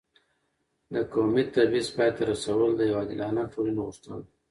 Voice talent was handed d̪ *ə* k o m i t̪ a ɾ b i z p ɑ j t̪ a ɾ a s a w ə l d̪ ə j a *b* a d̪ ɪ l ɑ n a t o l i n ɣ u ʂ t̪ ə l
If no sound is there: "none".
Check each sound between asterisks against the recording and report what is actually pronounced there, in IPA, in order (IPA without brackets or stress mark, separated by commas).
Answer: ə, w